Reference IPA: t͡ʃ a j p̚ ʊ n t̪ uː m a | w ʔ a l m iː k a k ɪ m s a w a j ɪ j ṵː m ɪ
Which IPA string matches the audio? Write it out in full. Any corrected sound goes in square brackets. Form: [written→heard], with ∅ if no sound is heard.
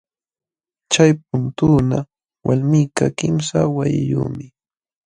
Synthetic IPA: t͡ʃ a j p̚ ʊ n t̪ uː [m→n] a | w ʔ a l m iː k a k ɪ m s a w a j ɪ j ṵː m ɪ